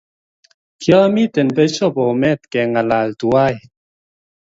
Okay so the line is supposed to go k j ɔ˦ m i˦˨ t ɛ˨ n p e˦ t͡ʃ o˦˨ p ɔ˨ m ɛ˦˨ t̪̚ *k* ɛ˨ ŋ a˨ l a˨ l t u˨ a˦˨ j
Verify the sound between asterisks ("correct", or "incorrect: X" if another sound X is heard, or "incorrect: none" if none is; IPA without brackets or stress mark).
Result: correct